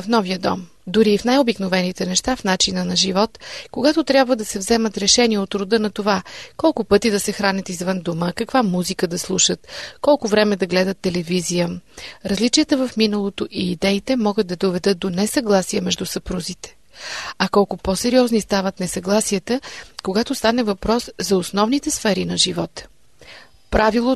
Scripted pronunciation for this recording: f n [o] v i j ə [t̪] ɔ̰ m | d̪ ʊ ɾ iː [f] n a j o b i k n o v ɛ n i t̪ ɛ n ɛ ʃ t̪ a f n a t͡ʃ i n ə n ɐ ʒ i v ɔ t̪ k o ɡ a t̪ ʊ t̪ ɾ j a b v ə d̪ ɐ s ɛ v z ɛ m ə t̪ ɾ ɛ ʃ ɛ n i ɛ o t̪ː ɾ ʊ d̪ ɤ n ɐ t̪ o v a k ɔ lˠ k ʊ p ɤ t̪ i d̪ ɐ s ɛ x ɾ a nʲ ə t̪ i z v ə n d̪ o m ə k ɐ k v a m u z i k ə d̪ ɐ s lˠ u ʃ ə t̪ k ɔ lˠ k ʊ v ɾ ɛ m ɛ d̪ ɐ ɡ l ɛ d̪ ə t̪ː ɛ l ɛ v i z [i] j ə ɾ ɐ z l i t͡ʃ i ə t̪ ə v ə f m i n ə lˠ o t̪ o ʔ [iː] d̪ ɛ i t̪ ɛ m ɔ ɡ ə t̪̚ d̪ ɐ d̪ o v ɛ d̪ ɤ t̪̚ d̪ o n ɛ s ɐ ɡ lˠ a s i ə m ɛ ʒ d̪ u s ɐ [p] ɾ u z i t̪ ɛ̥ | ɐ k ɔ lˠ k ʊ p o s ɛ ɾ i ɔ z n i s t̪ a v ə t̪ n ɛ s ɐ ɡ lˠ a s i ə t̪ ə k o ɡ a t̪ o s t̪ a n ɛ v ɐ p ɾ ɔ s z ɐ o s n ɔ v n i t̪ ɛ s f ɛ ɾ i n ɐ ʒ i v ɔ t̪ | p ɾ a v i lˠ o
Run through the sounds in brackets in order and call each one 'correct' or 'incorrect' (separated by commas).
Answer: incorrect, incorrect, correct, correct, correct, correct